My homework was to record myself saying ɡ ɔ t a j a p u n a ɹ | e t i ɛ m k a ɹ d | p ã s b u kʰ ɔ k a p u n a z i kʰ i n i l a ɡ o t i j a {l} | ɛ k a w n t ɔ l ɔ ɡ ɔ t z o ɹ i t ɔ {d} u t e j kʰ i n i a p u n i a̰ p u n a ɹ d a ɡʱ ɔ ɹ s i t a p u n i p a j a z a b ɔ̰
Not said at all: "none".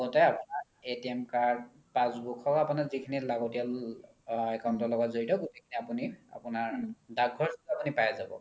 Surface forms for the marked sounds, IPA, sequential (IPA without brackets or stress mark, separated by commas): l, ɡ